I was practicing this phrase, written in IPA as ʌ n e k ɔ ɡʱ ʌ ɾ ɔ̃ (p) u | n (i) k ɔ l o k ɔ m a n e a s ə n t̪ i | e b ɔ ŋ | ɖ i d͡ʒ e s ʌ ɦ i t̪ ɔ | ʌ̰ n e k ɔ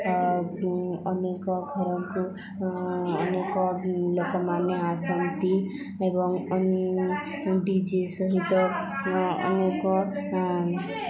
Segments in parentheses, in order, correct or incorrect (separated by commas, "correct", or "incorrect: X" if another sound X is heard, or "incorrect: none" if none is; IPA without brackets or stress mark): incorrect: k, incorrect: e